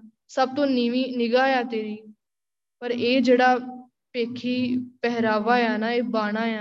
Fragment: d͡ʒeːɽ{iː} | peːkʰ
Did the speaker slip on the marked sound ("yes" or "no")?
yes